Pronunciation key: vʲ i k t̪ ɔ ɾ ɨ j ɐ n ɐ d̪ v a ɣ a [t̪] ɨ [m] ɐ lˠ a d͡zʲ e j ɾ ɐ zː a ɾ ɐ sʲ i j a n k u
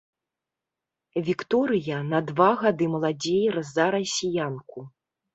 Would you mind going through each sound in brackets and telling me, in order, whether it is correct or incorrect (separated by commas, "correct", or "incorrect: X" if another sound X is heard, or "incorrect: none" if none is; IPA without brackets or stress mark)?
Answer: incorrect: d̪, correct